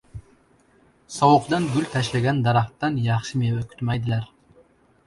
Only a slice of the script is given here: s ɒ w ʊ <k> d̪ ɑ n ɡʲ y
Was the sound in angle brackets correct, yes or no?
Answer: no